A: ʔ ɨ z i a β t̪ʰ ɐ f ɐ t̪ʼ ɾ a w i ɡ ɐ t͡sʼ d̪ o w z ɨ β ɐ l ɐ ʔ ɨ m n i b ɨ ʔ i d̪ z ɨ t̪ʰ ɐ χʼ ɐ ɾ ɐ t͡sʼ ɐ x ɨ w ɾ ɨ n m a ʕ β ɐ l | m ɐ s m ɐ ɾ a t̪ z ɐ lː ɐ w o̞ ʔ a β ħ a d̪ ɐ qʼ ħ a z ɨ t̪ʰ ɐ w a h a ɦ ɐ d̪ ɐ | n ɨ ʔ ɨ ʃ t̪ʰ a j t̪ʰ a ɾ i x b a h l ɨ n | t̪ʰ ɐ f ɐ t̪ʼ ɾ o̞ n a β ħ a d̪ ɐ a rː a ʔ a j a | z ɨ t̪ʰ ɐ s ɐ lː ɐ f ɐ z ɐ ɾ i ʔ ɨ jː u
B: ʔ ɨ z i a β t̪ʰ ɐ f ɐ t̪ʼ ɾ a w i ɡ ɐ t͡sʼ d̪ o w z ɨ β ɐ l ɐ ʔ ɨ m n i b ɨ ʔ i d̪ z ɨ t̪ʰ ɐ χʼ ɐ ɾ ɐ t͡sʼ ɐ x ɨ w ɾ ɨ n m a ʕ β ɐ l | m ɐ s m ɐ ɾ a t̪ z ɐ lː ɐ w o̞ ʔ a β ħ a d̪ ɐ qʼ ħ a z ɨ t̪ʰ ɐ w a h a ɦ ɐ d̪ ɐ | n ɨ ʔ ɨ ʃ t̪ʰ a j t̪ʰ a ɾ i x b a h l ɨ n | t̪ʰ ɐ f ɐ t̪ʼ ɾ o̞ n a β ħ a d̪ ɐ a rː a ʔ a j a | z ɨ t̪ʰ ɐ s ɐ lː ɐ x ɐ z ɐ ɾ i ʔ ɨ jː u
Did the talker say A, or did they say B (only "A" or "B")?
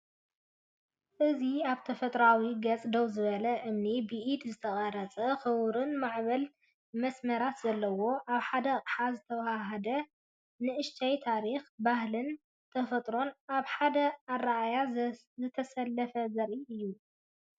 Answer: A